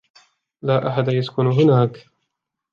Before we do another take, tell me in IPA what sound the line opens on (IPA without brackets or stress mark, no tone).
l